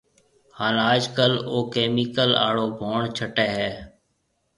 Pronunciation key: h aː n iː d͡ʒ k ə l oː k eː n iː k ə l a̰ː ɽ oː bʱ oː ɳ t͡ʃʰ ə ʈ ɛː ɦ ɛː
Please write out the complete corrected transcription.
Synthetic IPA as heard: h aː n aː d͡ʒ k ə l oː k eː m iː k ə l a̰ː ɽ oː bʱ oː ɳ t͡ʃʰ ə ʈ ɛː ɦ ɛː